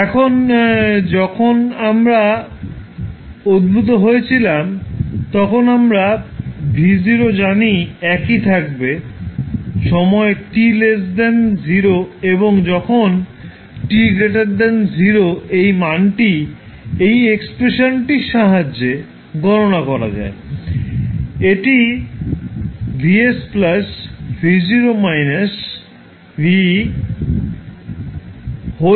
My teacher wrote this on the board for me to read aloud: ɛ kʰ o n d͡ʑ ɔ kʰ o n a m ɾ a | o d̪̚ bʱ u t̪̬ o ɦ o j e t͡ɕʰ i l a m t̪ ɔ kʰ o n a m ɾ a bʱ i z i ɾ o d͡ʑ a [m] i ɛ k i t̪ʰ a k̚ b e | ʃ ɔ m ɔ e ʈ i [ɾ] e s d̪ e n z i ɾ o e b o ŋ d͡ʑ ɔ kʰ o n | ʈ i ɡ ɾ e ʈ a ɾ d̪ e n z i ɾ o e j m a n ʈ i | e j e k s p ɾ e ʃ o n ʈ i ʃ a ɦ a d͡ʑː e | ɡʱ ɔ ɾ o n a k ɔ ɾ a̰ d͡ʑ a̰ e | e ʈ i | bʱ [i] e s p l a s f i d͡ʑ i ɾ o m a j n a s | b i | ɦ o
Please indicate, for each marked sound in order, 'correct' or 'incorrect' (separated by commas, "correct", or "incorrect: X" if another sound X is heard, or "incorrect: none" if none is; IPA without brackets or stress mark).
incorrect: n, incorrect: l, correct